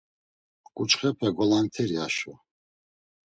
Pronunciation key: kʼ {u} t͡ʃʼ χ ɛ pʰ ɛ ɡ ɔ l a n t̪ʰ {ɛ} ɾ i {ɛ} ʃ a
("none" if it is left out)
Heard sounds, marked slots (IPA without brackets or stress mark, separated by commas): u, ɛ, a